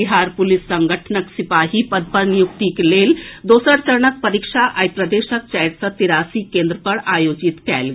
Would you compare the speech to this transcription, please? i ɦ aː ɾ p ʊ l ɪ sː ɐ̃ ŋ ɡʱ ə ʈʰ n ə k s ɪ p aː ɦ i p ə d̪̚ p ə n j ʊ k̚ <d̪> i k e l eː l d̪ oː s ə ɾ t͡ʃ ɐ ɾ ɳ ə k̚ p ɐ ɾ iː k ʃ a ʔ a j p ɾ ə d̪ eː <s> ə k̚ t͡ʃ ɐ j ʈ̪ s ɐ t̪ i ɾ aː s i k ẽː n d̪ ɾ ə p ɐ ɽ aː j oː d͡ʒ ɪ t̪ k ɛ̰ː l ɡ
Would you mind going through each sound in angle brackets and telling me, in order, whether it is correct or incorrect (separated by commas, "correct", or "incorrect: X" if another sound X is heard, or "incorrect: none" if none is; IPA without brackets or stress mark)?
incorrect: t̪, incorrect: ʃ